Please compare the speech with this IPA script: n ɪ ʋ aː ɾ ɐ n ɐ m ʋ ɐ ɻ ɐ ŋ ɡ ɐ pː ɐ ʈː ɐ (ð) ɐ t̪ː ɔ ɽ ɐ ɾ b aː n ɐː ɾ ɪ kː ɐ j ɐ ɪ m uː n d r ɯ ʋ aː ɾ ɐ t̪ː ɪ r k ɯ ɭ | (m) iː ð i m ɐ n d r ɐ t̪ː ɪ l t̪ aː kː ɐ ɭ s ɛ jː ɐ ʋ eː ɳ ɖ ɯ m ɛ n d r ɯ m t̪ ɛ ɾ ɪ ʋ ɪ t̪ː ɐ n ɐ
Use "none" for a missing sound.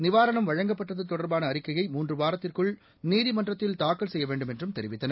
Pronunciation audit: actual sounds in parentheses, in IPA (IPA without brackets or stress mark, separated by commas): ð, n